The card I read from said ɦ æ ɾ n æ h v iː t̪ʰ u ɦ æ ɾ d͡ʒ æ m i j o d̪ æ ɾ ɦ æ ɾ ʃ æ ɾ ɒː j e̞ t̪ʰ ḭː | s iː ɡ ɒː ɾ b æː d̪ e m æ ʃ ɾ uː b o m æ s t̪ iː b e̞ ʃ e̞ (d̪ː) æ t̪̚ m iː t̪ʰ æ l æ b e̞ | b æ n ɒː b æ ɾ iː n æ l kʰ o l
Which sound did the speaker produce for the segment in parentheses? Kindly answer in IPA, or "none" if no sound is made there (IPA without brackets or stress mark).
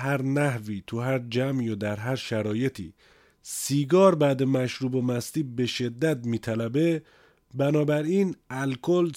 d̪ː